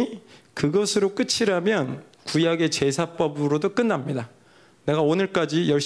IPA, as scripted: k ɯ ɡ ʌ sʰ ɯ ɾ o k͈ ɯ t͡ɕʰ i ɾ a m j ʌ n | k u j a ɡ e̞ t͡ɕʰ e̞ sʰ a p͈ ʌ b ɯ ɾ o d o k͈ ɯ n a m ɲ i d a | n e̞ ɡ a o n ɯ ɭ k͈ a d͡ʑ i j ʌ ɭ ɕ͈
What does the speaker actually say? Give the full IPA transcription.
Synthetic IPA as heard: k ɯ ɡ ʌ sʰ ɯ ɾ o k͈ ɯ t͡ɕʰ i ɾ a m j ʌ n | k u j a ɡ e̞ t͡ɕ e̞ sʰ a p͈ ʌ b ɯ ɾ o d o k͈ ɯ nː a m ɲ i d a | n e̞ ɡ a o n ɯ ɭ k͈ a d͡ʑ i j ʌ ɭ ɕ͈